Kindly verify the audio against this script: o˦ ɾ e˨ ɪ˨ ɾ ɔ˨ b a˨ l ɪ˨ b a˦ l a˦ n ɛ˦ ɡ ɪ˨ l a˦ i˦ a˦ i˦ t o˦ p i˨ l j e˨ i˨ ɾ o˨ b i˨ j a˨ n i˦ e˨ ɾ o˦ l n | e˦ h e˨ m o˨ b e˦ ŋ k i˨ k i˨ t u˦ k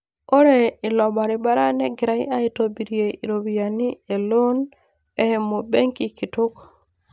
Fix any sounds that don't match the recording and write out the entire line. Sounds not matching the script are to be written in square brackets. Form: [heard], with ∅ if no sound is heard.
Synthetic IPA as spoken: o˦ ɾ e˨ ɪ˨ [l] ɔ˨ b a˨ [ɾ] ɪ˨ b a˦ [ɾ] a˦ n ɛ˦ ɡ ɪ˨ [ɾ] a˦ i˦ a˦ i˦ t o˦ [b] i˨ [ɾ] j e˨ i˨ ɾ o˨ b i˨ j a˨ n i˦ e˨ [l] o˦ [∅] n | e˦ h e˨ m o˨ b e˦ ŋ k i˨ k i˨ t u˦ k